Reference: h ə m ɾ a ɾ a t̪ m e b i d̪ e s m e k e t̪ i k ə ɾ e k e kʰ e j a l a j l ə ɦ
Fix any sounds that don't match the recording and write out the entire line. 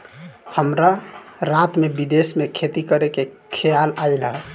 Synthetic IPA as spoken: h ə m ɾ a ɾ a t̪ m e b i d̪ e s m e kʰ e t̪ i k ə ɾ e k e kʰ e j a l a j l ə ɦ